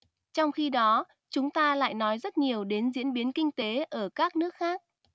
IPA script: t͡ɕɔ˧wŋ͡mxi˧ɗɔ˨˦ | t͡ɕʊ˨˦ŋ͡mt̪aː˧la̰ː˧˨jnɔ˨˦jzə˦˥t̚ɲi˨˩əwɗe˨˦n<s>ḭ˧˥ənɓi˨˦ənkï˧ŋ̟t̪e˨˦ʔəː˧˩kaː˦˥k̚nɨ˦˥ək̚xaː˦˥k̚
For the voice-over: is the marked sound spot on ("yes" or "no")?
no